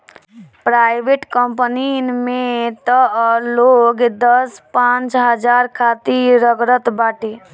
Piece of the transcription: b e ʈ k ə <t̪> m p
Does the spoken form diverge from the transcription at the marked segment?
yes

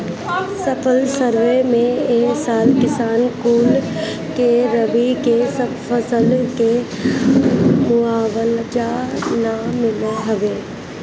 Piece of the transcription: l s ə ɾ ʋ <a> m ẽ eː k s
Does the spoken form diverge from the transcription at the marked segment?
yes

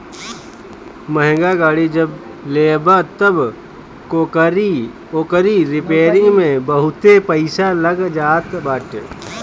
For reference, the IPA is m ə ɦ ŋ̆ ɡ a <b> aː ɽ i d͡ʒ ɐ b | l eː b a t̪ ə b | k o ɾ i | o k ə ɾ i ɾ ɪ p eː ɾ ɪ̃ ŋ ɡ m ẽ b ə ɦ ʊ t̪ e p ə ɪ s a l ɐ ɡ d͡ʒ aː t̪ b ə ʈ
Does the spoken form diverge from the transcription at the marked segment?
yes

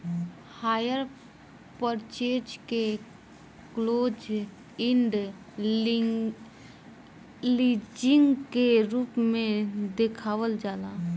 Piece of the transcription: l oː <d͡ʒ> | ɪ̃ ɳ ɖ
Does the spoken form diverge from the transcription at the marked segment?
no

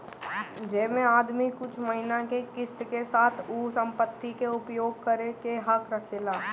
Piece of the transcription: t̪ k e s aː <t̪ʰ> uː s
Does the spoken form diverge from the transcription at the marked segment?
no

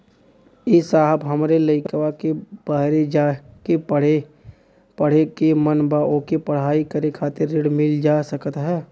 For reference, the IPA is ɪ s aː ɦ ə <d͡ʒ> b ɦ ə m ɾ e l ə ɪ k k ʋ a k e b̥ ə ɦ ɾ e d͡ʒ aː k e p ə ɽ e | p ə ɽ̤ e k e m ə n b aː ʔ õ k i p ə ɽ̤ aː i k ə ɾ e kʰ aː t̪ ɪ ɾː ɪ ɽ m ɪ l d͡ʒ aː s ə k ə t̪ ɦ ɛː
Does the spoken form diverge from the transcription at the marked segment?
yes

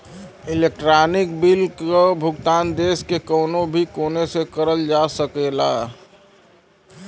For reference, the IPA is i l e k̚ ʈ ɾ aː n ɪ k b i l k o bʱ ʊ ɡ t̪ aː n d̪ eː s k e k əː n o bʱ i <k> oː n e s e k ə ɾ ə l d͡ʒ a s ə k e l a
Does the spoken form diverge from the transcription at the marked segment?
no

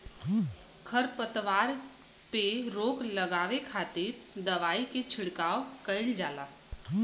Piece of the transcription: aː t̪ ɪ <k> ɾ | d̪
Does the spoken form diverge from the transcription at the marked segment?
yes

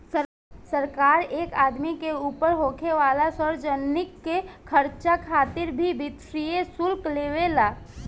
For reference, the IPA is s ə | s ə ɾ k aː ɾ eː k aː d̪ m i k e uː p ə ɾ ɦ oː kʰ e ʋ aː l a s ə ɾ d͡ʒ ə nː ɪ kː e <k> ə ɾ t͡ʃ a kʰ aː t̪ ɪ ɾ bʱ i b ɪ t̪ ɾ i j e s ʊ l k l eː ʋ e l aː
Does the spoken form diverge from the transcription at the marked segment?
yes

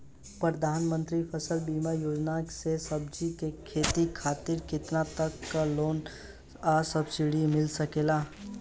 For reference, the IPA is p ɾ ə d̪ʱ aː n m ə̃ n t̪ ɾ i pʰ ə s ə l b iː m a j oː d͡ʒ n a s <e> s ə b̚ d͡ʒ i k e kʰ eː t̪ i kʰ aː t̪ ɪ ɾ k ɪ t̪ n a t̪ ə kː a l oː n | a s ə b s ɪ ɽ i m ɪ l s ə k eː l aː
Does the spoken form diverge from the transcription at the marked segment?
no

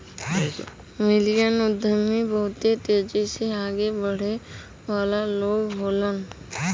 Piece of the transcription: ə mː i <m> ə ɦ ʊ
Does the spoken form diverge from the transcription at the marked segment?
yes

